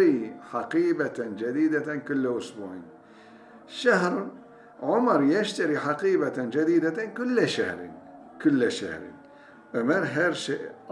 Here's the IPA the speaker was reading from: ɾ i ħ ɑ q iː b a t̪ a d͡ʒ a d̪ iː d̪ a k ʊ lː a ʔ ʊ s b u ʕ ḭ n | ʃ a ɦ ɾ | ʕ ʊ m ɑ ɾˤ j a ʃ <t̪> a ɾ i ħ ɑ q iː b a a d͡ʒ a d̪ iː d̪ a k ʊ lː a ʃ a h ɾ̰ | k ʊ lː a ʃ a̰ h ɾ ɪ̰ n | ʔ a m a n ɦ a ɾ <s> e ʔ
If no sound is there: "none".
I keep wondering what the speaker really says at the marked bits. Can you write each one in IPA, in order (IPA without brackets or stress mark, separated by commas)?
t̪, ʃ